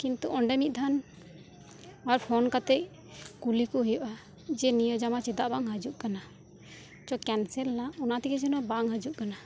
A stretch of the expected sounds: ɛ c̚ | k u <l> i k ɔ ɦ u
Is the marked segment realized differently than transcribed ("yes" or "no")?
no